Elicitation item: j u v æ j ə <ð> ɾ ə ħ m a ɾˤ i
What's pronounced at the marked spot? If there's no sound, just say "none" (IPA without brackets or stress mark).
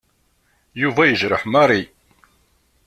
ʒ